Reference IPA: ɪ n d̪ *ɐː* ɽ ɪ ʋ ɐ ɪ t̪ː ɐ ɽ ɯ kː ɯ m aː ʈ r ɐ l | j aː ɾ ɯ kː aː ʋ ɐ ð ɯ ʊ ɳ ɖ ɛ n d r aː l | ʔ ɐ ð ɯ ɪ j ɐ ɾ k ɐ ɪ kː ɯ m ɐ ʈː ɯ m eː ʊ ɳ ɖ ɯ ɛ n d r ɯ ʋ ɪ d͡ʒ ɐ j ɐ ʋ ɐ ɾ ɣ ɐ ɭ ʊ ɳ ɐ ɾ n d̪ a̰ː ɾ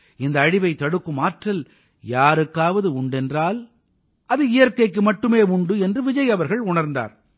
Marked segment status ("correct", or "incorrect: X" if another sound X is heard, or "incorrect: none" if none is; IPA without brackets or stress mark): correct